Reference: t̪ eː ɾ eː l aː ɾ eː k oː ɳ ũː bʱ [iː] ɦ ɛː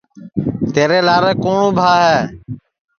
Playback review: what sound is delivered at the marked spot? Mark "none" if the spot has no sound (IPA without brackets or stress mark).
aː